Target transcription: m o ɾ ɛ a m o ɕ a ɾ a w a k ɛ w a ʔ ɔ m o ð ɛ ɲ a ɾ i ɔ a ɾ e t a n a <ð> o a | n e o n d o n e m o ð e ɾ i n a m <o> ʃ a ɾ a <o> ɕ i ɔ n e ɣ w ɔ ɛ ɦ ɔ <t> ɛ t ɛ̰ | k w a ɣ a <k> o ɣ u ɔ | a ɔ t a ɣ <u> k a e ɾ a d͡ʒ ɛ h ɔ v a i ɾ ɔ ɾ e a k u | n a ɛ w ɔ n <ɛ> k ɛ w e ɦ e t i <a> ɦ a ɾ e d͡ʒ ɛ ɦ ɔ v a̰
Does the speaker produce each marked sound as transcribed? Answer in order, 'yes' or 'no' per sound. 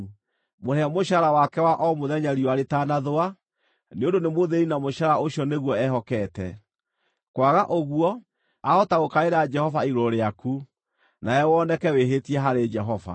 yes, yes, yes, no, no, no, yes, no

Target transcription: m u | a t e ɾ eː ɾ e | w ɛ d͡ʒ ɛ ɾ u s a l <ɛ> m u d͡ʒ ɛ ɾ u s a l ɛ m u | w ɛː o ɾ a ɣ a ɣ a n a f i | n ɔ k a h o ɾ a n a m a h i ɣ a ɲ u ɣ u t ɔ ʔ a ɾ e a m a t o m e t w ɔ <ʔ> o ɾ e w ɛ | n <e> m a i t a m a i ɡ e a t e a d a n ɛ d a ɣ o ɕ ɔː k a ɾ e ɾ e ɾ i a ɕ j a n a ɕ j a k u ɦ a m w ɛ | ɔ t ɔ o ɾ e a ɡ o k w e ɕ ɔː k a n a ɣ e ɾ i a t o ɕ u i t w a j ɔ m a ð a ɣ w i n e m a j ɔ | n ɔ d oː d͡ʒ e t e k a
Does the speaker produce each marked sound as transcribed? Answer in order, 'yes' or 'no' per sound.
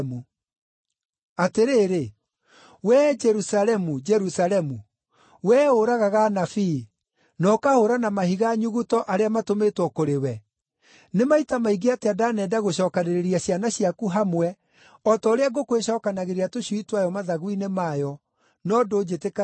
yes, no, yes

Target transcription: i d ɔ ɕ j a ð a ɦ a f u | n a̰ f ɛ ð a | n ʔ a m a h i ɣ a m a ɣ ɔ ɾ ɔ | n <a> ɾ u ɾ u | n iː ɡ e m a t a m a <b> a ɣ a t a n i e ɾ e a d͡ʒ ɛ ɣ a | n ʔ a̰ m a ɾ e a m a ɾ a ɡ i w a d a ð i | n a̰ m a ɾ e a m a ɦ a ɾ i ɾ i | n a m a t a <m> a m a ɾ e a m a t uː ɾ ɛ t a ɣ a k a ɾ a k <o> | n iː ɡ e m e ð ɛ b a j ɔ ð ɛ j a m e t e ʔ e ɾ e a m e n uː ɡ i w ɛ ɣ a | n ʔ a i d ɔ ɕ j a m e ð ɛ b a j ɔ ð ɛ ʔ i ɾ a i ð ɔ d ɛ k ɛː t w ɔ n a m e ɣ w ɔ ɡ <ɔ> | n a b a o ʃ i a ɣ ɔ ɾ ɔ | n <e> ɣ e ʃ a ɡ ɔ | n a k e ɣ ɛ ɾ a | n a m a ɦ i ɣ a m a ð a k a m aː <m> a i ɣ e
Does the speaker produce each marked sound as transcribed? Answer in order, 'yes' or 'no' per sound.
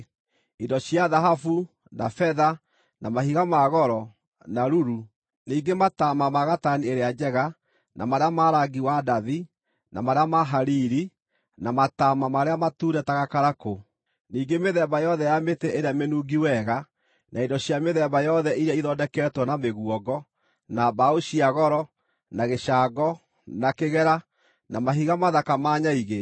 yes, no, yes, yes, yes, no, no

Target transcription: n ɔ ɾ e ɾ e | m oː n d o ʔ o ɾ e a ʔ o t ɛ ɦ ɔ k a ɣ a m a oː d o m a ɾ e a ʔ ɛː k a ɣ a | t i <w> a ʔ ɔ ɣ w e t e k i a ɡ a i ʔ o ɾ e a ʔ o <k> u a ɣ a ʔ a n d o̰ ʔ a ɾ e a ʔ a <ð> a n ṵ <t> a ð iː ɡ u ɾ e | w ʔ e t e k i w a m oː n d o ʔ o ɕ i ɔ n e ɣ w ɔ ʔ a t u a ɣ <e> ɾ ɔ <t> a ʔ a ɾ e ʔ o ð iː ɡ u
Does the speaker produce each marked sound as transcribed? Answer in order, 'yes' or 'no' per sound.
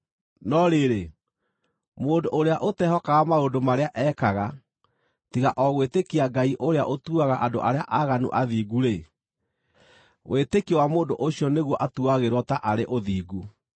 no, no, no, no, yes, yes

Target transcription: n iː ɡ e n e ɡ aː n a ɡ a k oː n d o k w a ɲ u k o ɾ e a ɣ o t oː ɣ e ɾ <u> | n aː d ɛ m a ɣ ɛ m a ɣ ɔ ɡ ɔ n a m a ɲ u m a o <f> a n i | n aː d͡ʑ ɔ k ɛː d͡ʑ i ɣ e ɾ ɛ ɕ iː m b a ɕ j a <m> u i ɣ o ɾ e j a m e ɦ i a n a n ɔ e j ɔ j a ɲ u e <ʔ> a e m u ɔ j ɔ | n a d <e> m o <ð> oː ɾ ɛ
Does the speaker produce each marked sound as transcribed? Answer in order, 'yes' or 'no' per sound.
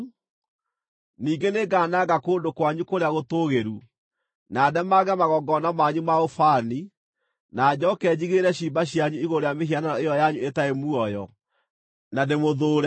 yes, yes, no, no, yes, yes

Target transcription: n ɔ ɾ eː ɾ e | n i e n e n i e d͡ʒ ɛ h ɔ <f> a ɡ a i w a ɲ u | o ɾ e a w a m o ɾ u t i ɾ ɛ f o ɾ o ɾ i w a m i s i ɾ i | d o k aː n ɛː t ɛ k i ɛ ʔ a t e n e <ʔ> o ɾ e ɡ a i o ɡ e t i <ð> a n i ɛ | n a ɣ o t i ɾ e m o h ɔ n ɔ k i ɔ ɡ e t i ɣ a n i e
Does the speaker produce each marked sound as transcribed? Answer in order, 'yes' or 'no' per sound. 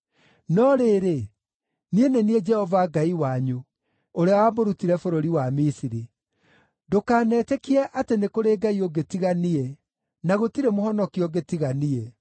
no, no, no

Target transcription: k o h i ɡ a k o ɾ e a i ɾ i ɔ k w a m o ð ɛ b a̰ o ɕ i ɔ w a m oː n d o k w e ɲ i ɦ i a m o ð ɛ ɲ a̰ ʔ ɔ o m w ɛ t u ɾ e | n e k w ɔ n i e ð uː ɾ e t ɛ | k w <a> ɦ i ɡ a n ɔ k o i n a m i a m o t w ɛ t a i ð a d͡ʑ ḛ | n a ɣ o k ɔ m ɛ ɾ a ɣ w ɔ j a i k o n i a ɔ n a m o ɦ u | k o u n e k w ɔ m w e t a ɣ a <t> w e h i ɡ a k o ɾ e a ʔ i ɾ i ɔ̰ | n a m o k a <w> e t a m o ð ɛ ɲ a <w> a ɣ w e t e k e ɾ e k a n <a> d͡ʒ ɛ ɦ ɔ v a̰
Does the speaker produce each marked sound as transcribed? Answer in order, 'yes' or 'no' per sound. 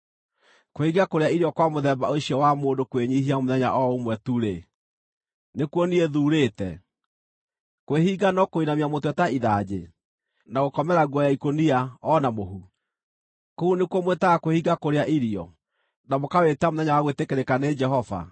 no, no, yes, yes, no

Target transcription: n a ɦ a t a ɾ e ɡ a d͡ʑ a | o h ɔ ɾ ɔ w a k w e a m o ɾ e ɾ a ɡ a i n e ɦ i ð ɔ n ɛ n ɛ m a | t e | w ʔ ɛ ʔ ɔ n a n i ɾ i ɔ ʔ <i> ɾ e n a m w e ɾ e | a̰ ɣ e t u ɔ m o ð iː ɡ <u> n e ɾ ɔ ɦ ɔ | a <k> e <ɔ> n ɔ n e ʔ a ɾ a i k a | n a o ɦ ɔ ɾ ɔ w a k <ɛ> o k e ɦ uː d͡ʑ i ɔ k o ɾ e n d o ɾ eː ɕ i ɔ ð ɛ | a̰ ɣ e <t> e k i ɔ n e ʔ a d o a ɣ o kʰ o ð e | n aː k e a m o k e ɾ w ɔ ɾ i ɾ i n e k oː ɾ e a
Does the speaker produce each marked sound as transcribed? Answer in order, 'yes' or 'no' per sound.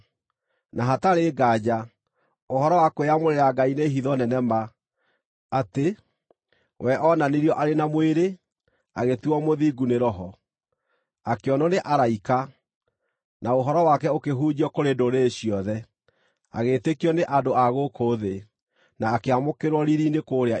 no, yes, yes, yes, yes, yes

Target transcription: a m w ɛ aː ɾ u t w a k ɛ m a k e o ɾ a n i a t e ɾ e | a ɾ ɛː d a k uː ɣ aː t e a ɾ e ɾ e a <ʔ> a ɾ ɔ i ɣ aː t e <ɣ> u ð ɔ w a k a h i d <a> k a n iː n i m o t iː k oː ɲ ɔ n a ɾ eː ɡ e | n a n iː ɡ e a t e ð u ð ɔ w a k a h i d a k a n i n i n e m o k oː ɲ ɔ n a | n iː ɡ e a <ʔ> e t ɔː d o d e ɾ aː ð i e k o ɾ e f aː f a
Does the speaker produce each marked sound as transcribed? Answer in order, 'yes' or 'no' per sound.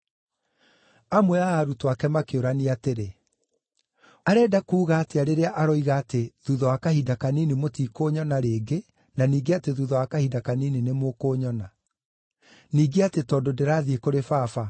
yes, no, yes, no

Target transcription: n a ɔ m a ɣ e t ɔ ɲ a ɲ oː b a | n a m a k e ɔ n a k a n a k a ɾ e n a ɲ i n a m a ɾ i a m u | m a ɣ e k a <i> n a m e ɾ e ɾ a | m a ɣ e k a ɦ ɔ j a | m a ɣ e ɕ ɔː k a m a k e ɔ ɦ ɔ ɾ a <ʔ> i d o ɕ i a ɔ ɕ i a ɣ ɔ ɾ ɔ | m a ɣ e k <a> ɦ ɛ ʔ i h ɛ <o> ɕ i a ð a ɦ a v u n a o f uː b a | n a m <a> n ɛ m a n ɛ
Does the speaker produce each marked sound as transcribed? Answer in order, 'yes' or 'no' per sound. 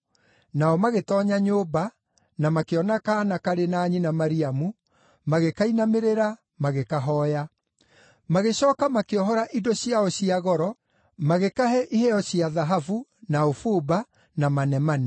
yes, yes, yes, no, yes

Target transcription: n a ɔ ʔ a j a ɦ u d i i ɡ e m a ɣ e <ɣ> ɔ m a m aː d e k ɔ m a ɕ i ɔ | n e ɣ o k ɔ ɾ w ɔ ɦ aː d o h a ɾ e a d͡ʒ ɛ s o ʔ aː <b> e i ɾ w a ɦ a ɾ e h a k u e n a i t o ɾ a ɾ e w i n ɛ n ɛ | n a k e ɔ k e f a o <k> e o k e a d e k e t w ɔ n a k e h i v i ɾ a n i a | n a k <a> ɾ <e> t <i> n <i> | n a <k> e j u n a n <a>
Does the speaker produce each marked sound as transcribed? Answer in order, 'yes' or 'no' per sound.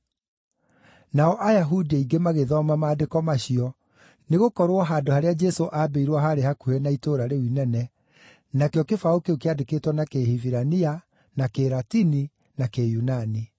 no, yes, yes, no, no, yes, yes, yes, no

